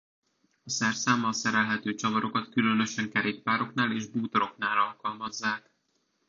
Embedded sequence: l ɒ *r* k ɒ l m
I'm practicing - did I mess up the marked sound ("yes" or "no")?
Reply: yes